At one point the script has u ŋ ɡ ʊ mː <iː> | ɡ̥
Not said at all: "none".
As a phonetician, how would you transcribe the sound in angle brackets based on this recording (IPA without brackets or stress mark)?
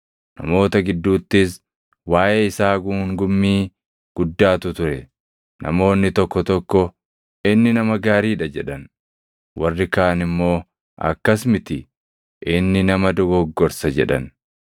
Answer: iː